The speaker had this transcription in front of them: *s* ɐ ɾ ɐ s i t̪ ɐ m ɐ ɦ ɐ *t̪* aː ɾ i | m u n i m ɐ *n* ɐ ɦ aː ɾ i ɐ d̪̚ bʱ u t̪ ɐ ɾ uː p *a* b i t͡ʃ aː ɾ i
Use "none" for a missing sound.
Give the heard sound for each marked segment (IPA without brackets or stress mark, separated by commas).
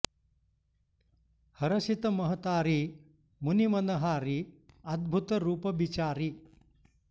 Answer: h, t̪, n, ɐ